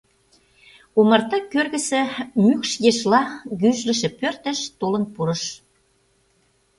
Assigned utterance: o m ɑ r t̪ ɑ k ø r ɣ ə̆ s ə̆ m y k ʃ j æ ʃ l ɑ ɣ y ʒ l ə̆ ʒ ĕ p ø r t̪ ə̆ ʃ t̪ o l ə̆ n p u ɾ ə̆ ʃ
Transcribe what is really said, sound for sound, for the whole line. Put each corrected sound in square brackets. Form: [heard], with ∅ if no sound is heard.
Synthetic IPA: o m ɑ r t̪ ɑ k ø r ɣ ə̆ s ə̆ m y k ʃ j [e] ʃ l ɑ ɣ y ʒ l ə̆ [ʃ] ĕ p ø r t̪ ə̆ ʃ t̪ o l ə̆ n p u ɾ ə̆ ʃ